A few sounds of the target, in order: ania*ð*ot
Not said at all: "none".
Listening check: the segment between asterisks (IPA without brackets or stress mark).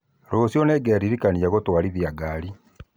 ɣ